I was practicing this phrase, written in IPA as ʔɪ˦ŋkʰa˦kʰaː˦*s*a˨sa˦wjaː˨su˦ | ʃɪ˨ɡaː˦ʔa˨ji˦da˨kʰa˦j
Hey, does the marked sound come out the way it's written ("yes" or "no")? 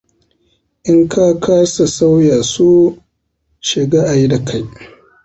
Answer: yes